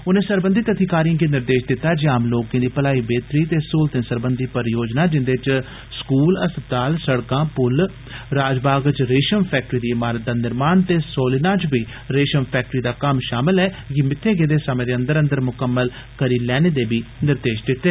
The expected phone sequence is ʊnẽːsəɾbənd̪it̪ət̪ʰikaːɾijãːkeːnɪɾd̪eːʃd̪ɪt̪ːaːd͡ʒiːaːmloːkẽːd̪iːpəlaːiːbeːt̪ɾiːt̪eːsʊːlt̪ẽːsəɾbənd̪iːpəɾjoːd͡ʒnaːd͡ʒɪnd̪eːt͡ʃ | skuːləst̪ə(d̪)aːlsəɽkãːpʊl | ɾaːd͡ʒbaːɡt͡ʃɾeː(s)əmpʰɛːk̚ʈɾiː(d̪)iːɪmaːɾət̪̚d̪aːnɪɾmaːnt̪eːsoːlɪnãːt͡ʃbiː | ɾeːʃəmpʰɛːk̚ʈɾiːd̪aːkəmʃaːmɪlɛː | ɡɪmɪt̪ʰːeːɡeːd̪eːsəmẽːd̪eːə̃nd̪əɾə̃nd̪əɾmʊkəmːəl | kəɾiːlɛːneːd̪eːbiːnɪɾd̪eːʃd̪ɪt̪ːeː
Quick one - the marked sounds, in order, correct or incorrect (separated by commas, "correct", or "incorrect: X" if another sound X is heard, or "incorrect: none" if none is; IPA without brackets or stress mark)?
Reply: incorrect: t̪, incorrect: ʃ, correct